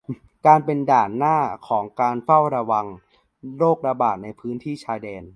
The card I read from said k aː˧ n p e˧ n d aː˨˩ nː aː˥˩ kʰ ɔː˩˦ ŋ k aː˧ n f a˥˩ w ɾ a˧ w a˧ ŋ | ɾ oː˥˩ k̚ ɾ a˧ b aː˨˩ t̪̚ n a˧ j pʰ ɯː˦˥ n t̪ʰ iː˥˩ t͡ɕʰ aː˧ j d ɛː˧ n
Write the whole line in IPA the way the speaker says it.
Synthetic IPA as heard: k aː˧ n p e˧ n d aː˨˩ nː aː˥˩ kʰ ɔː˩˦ ŋ k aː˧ n f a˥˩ w ɾ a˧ w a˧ ŋ | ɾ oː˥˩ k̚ ɾ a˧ b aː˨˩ t̪̚ n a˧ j pʰ ɯː˦˥ n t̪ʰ iː˥˩ t͡ɕʰ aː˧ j d ɛː˧ n